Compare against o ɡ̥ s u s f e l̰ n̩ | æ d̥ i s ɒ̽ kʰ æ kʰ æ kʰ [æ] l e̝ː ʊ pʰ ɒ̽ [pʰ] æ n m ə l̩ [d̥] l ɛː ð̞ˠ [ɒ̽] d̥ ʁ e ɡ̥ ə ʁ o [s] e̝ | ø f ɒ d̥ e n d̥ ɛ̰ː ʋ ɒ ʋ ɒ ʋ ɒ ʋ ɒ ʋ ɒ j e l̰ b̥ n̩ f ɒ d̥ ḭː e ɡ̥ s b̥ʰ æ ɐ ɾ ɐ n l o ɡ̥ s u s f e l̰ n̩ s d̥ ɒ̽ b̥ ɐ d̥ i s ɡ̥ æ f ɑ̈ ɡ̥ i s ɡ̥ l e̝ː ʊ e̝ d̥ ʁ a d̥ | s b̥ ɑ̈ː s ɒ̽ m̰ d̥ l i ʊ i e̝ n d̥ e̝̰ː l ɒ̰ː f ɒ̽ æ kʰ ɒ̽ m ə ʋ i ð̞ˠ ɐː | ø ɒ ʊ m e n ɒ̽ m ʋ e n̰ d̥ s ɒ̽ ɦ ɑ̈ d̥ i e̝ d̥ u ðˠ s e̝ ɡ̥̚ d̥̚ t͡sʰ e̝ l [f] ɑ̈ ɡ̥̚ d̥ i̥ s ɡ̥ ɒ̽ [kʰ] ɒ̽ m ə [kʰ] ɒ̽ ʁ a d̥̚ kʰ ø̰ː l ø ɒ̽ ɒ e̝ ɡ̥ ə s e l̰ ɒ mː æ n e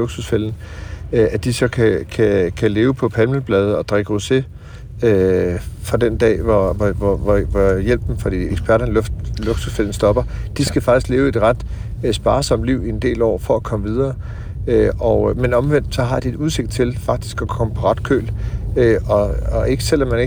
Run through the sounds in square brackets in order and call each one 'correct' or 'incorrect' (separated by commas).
correct, correct, incorrect, correct, correct, correct, correct, incorrect